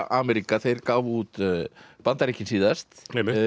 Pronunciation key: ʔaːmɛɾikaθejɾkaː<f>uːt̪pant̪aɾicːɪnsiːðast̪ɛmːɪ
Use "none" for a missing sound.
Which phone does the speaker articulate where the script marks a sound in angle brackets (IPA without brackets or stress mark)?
v